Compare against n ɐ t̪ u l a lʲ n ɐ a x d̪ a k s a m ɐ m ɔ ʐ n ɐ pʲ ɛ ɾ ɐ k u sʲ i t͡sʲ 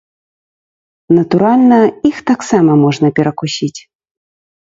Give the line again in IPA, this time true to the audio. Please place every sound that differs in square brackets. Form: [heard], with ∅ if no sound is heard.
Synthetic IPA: n ɐ t̪ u [ɾ] a lʲ n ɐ [i] x [t̪] a k s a m ɐ m ɔ ʐ n ɐ pʲ ɛ ɾ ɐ k u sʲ i t͡sʲ